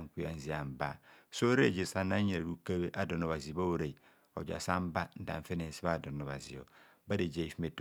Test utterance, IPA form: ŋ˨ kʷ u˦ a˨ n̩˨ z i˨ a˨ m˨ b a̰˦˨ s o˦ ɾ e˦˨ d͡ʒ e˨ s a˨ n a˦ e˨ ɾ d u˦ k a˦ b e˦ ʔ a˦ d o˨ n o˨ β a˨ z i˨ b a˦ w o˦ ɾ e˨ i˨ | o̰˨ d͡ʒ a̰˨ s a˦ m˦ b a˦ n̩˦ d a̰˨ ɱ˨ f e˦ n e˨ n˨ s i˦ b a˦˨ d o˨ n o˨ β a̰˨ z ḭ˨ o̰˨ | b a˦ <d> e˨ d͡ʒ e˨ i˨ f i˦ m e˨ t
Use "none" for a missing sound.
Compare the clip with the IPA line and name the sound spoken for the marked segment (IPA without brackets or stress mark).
d